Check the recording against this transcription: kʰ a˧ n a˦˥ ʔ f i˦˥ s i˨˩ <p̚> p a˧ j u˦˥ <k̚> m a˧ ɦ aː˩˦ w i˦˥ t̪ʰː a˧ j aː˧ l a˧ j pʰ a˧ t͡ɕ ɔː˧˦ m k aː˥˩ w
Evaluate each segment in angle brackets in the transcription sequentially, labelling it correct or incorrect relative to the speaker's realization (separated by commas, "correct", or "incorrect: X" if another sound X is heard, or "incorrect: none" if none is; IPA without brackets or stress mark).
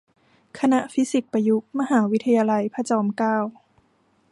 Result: incorrect: k̚, correct